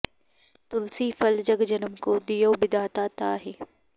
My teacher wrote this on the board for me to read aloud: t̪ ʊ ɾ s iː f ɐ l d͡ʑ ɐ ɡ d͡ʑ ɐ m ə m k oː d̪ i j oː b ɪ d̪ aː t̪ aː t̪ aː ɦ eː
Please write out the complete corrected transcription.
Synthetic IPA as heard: t̪ ʊ l s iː f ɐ l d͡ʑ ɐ ɡ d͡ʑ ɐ n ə m k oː d̪ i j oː b ɪ d̪ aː t̪ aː t̪ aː ɦ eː